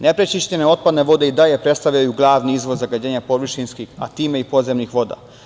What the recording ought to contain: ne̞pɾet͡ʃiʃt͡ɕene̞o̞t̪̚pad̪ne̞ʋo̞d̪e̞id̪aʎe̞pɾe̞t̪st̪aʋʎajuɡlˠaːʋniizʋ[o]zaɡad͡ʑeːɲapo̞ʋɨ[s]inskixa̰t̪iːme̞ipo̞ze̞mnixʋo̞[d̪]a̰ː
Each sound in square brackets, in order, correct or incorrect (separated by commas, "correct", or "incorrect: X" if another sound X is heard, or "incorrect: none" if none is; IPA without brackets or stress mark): correct, incorrect: ʃ, correct